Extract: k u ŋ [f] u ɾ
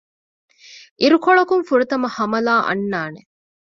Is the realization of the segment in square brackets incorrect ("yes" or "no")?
no